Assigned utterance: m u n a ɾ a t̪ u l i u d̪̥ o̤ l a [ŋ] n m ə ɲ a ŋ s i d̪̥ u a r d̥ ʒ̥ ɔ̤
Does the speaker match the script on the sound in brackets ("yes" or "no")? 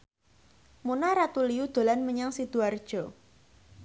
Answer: no